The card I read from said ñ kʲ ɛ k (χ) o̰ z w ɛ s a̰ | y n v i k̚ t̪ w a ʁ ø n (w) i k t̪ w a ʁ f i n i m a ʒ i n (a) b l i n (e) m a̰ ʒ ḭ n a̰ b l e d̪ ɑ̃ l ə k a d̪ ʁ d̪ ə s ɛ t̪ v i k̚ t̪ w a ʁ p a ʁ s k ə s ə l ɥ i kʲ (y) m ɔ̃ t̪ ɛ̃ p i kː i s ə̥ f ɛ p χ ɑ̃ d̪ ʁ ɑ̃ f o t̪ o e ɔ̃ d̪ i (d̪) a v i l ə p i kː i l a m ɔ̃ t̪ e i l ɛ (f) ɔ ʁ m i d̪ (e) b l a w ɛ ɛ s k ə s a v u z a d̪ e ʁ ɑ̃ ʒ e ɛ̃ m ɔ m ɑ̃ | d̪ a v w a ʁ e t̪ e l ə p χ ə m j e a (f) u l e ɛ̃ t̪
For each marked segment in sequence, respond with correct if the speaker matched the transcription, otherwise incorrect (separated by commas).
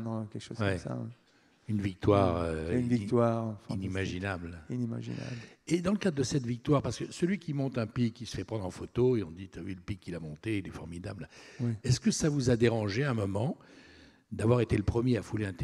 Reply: incorrect, incorrect, correct, incorrect, incorrect, incorrect, correct, incorrect, correct